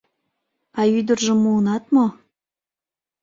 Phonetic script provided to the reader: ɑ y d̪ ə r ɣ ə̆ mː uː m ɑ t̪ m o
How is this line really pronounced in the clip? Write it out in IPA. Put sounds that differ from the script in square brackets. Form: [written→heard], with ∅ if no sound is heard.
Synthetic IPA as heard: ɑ y d̪ ə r [ɣ→ʒ] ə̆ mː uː [m→n] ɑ t̪ m o

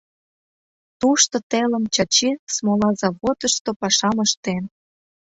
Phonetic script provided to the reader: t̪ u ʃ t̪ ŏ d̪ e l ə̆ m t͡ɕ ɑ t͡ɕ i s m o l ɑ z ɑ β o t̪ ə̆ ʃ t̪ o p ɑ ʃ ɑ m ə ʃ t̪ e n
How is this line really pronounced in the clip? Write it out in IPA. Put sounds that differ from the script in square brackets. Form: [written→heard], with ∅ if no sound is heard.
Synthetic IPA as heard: t̪ u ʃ t̪ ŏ [d̪→t̪] e l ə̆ m t͡ɕ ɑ t͡ɕ i s m o l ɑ z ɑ β o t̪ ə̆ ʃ t̪ o p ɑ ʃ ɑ m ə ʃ t̪ e n

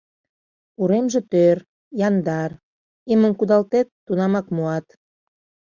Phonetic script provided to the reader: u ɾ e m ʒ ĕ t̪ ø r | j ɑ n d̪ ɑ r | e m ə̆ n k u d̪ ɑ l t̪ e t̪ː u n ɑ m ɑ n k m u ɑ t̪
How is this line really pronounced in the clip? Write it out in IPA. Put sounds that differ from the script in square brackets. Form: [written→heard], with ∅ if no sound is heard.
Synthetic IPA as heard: u ɾ e m ʒ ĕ t̪ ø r | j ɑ n d̪ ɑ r | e m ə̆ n k u d̪ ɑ l t̪ e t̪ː u n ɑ m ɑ [n→∅] k m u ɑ t̪

